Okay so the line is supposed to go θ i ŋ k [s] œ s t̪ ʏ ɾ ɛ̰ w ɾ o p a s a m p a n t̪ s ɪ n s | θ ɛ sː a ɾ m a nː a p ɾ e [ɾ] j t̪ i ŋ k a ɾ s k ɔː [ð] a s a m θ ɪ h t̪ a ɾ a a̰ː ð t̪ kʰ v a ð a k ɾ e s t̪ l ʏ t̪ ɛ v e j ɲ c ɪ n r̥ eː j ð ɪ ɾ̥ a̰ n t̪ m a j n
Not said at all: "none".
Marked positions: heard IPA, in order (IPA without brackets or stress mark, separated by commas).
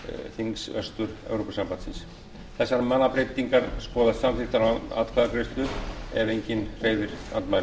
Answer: s, none, ð